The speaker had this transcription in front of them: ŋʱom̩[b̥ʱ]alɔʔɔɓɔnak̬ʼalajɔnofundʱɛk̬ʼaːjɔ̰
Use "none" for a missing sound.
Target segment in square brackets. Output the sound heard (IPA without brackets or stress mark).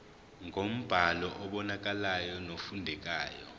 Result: b̥ʱ